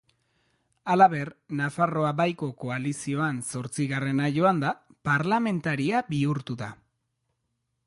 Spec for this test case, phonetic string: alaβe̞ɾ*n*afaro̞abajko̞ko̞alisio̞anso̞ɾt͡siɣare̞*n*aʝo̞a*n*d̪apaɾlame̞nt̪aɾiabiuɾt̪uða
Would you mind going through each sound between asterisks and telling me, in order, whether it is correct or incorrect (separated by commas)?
correct, correct, correct